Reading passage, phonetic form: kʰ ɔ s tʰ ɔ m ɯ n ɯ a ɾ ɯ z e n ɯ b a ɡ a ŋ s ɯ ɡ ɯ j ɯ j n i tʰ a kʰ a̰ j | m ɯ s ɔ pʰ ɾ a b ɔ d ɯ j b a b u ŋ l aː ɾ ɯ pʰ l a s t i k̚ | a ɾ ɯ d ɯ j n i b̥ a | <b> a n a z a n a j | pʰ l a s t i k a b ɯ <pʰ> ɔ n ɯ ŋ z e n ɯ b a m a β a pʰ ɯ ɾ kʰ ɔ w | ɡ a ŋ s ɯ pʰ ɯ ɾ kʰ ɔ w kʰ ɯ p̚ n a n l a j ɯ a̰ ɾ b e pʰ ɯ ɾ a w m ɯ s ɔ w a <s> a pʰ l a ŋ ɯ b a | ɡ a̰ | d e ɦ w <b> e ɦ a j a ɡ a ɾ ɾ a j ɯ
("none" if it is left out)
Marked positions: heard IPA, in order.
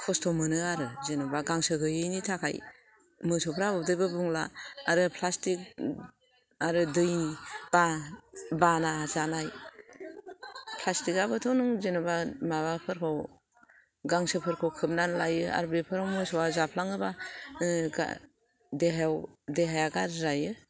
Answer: b, tʰ, z, d

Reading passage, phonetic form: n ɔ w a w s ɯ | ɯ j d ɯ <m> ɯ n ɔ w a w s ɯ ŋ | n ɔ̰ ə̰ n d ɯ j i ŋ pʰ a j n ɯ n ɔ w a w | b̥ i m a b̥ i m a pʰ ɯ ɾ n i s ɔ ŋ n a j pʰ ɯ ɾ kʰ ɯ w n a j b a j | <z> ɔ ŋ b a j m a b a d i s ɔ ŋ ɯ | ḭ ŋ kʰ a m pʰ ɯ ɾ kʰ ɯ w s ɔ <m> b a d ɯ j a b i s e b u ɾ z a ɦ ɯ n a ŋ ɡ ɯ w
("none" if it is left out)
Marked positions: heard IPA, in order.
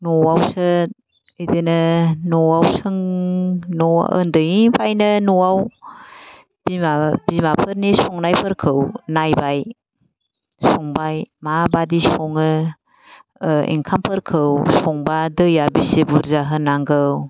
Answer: n, s, ŋ

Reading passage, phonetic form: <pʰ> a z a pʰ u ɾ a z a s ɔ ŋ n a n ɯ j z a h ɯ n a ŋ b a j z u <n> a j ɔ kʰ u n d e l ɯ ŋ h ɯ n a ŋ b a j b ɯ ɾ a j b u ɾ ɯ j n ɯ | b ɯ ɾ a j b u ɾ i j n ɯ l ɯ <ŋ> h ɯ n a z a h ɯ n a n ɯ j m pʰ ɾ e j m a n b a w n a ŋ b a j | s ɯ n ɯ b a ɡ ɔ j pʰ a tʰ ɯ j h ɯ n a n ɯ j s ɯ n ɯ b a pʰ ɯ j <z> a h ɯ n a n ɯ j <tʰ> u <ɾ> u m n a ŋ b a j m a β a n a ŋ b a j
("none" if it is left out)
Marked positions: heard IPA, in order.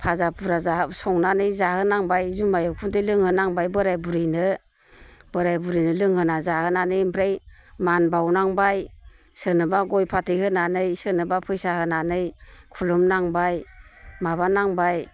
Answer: pʰ, m, ŋ, s, kʰ, l

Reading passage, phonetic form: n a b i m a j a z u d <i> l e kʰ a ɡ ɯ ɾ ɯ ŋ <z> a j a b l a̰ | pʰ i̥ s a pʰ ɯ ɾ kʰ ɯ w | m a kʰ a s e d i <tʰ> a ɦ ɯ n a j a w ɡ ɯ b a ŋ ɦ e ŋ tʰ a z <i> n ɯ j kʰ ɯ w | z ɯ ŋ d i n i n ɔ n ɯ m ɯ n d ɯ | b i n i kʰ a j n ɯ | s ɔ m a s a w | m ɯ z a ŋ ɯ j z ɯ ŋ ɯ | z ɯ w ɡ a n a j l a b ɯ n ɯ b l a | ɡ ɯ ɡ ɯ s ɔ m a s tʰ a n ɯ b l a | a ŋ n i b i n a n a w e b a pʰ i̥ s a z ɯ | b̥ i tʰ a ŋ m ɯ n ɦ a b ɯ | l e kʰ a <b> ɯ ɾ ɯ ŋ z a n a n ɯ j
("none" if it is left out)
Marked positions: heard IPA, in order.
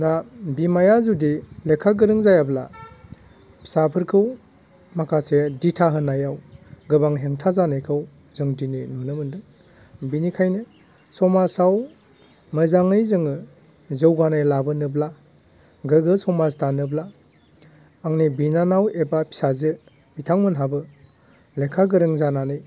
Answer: i, z, tʰ, a, ɡ

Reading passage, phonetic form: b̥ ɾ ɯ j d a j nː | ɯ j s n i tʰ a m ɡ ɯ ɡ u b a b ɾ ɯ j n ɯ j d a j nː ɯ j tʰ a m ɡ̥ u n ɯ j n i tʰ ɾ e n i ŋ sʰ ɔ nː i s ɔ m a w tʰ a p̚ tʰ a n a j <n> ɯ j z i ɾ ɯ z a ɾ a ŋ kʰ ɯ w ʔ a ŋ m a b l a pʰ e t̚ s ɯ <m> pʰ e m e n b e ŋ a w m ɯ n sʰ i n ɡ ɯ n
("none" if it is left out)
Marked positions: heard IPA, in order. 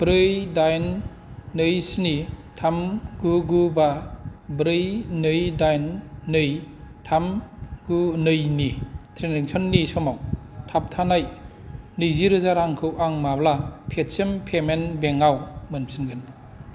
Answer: n, m

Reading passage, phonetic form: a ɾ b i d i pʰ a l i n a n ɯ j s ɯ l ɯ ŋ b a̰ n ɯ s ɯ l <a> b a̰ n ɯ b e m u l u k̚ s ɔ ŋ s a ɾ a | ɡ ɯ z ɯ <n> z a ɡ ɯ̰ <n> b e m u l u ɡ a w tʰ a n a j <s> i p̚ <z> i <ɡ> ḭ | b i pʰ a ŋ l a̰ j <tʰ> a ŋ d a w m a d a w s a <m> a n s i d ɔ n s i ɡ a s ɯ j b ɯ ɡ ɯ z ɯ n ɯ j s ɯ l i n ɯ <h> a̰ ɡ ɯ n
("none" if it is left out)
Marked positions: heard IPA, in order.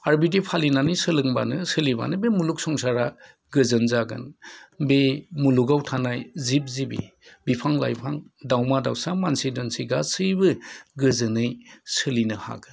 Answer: i, n, n, z, z, b, pʰ, m, h

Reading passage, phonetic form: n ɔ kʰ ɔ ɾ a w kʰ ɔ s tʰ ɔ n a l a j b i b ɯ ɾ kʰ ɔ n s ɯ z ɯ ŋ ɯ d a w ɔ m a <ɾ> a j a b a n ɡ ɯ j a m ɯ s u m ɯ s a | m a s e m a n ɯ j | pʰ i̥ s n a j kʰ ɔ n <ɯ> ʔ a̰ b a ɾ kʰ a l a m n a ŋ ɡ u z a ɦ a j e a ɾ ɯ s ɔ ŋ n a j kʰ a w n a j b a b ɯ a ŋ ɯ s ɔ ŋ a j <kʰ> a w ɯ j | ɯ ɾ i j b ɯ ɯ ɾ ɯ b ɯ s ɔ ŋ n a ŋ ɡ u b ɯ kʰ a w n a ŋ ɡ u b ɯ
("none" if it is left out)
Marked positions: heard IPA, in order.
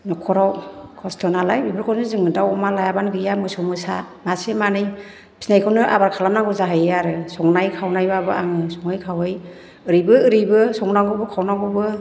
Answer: l, ɯ, kʰ

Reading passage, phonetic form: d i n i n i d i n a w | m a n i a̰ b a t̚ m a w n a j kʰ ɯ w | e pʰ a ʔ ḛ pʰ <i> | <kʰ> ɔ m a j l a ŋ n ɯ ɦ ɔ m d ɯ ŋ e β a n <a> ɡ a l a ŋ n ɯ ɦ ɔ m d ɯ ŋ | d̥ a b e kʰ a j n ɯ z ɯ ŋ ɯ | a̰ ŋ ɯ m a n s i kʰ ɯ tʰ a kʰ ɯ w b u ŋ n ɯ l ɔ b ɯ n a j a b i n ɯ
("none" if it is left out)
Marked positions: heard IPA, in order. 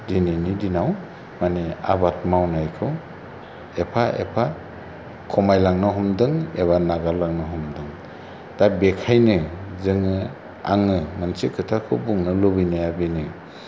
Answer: a, kʰ, a

